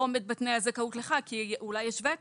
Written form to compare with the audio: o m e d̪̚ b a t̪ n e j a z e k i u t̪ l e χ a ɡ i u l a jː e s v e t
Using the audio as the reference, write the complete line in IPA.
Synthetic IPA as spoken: o m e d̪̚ b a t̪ n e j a z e k a u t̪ l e χ a k i u l a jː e ʃ v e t